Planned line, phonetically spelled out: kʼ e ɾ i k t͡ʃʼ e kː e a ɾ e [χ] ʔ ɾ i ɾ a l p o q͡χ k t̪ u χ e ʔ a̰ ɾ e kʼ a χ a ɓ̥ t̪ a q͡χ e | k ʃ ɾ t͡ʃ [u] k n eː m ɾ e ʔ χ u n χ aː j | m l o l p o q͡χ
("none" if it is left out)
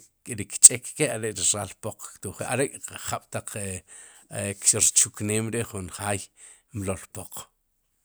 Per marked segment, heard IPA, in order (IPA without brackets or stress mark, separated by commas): none, u